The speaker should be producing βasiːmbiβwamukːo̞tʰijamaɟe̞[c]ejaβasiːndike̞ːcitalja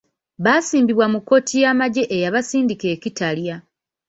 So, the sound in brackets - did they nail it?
no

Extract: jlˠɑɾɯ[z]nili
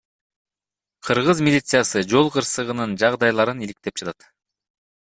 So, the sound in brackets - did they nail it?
no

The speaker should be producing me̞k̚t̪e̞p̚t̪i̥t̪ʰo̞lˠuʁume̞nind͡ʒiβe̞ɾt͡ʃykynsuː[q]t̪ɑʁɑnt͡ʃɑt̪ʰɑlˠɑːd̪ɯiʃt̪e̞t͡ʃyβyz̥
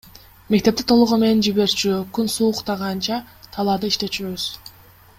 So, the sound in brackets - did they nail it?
yes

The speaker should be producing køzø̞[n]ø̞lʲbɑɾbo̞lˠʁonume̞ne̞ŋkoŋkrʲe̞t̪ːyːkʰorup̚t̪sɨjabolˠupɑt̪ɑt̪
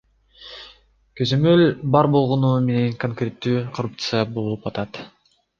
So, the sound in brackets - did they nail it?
no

